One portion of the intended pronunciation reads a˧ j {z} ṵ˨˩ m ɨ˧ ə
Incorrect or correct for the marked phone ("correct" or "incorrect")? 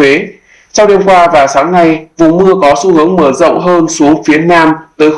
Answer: incorrect